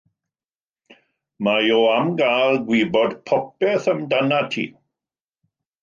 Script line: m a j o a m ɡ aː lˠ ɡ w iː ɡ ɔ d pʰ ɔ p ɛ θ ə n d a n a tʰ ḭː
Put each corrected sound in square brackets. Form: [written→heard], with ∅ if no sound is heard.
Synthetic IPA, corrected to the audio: m a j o a m ɡ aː lˠ ɡ w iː [ɡ→b] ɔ d pʰ ɔ p ɛ θ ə [n→m] d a n a tʰ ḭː